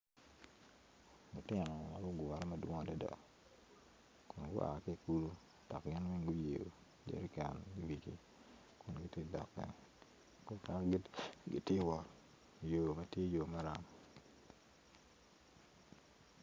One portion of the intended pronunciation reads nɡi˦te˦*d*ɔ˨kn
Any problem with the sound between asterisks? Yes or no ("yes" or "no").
no